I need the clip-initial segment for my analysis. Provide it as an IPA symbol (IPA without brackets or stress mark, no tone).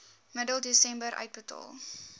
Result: m